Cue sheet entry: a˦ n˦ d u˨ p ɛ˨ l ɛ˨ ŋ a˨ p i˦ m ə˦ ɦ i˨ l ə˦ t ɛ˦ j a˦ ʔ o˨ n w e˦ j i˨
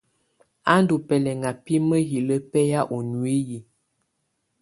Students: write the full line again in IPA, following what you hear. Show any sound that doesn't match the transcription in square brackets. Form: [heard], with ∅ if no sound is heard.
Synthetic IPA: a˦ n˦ d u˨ p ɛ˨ l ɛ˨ ŋ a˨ p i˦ m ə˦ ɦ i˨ l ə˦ [p] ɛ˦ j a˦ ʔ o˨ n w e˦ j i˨